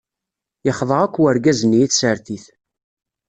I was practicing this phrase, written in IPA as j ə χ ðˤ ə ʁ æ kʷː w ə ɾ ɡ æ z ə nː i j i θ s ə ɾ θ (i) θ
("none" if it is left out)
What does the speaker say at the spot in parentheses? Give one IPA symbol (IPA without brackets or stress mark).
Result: i